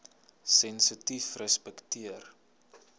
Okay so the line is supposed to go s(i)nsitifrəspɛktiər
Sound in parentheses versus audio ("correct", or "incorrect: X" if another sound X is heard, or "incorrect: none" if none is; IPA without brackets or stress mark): incorrect: ɛ